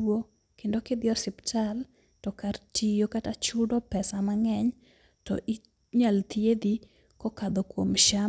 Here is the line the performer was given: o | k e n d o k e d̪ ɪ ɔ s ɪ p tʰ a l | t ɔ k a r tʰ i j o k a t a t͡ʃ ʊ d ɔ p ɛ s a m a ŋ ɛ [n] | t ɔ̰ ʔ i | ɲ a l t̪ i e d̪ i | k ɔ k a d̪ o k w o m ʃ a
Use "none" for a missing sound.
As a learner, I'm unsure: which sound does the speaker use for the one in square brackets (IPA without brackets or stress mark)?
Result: ɲ